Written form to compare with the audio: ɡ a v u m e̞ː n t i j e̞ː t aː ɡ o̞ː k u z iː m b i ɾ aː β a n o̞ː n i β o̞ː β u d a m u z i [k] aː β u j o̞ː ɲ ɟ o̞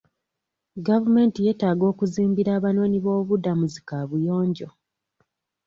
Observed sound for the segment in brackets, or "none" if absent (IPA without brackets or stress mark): k